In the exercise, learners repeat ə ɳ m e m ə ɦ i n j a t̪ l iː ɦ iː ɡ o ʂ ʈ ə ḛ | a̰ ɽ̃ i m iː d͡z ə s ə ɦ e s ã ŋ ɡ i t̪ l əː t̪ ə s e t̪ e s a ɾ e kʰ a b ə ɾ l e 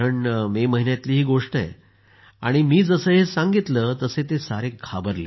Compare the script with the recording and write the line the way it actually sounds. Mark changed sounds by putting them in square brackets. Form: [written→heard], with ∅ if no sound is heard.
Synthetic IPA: ə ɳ m e m ə ɦ i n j a t̪ l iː ɦ iː ɡ o ʂ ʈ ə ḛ | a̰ ɽ̃ i m iː d͡z ə s ə ɦ e s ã ŋ ɡ i t̪ l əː t̪ ə s e t̪ e s a ɾ e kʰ a b ə ɾ l e